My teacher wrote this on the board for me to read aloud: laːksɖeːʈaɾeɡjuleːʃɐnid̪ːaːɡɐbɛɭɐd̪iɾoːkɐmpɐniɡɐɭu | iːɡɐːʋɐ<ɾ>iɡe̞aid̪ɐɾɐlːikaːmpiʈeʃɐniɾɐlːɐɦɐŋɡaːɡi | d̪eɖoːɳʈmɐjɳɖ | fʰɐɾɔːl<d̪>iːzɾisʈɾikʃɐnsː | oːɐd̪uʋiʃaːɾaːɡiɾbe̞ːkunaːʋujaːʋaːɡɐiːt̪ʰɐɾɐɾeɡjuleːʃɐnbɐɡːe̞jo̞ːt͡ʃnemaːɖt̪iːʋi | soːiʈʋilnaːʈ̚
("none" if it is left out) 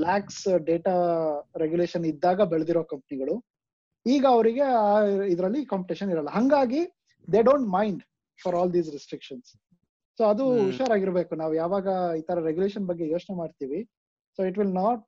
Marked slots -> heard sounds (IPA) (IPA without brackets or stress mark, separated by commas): ɾ, d̪